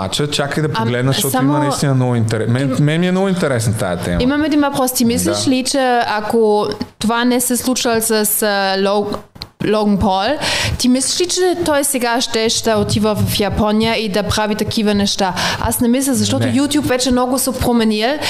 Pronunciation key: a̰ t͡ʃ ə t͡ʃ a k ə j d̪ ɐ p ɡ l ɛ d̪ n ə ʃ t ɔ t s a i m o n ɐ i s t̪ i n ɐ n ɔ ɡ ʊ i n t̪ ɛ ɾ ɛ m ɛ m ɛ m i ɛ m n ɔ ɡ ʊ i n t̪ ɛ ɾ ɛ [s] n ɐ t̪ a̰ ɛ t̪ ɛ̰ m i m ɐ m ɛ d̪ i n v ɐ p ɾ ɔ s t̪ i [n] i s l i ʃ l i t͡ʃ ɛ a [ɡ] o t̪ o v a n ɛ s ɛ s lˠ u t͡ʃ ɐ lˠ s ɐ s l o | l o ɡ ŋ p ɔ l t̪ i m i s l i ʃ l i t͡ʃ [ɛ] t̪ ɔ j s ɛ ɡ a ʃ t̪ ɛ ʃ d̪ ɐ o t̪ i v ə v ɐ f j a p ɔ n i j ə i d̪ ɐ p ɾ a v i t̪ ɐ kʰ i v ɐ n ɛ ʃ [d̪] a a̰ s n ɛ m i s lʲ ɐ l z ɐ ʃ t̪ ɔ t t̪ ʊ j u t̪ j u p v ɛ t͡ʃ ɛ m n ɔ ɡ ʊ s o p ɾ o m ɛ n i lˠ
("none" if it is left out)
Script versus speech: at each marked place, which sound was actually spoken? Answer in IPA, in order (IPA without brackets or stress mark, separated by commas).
s, m, k, ɛ, t̪